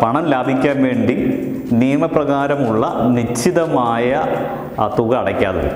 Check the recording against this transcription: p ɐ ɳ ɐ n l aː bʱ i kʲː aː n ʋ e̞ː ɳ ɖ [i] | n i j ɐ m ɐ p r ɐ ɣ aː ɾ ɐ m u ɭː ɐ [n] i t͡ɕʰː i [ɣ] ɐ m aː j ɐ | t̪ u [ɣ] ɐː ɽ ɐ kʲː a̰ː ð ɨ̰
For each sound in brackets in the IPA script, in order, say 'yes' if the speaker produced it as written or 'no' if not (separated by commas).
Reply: yes, yes, no, yes